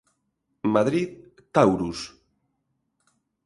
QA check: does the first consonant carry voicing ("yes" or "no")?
yes